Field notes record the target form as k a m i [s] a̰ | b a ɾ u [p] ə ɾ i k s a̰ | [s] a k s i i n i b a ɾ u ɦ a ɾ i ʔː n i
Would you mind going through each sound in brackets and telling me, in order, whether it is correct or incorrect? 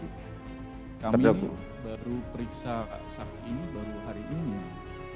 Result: incorrect, correct, correct

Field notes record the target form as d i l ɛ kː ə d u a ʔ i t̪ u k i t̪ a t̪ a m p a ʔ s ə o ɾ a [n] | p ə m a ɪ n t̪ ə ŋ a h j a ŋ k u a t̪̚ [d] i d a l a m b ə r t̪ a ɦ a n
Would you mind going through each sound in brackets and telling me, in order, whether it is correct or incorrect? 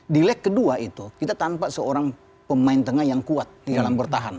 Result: incorrect, correct

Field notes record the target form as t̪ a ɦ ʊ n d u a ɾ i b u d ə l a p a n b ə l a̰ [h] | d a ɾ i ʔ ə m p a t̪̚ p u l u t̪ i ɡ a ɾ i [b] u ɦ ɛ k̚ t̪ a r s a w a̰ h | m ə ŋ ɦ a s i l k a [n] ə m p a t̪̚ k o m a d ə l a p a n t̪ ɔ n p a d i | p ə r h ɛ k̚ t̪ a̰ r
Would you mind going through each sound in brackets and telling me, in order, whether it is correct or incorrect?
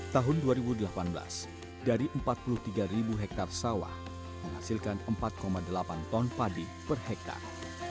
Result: incorrect, correct, correct

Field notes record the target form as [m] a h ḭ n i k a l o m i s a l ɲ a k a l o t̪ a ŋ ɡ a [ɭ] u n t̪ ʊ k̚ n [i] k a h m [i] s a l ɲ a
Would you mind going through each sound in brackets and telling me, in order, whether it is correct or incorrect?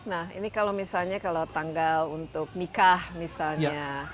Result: incorrect, incorrect, correct, correct

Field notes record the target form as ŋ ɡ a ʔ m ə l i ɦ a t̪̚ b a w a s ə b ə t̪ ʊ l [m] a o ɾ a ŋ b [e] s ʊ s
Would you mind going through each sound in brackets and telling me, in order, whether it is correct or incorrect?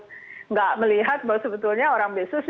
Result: incorrect, correct

